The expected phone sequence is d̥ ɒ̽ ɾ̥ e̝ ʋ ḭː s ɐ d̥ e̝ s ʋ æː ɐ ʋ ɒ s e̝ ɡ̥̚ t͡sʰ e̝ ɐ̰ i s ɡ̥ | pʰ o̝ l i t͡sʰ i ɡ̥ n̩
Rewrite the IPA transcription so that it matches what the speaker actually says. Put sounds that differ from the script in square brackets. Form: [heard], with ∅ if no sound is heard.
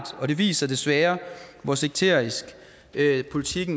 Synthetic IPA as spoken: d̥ ɒ̽ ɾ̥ e̝ ʋ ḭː s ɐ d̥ e̝ s ʋ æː ɐ ʋ ɒ s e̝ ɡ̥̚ t͡sʰ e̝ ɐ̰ i s ɡ̥ | pʰ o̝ l i t͡sʰ i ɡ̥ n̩